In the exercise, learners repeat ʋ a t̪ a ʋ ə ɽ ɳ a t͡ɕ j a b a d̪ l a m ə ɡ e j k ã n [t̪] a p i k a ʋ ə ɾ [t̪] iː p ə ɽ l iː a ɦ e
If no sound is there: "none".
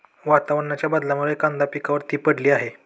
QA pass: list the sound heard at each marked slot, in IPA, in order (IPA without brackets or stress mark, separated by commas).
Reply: d̪, t̪